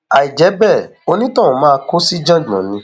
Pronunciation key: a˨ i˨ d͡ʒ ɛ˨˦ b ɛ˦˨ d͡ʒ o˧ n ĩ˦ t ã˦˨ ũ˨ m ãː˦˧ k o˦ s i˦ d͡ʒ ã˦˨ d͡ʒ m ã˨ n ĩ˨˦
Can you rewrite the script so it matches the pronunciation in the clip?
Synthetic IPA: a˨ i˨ d͡ʒ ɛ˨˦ b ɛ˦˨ o˧ n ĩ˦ t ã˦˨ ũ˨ m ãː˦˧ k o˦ s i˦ d͡ʒ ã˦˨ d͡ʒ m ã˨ n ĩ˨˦